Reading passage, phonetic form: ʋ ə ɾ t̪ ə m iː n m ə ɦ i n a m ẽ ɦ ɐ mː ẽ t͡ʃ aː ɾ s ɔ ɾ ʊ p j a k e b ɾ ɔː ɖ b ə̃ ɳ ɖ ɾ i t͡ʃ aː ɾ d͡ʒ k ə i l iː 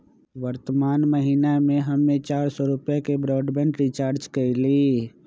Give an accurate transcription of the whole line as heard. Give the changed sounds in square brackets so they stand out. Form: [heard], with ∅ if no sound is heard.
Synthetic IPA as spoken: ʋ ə ɾ t̪ ə m [aː] n m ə ɦ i n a m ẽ ɦ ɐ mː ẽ t͡ʃ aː ɾ s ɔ ɾ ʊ p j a k e b ɾ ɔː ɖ b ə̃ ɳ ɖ ɾ i t͡ʃ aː ɾ d͡ʒ k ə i l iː